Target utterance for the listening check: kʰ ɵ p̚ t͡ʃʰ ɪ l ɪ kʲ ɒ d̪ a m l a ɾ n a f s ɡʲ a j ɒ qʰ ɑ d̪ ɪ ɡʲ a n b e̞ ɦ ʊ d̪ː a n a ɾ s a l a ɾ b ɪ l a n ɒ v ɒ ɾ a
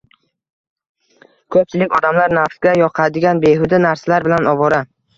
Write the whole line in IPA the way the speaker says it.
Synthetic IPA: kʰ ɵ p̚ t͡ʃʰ ɪ l ɪ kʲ ɒ d̪ a m l a ɾ n a f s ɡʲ a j ɒ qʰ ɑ d̪ ɪ ɡʲ a n b e̞ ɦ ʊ d̪ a n a ɾ s a l a ɾ b ɪ l a n ɒ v ɒ ɾ a